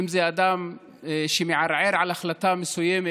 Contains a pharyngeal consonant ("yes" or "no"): yes